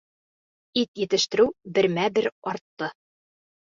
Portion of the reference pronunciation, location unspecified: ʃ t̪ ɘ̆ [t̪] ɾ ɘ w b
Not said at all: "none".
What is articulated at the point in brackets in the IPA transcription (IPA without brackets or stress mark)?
none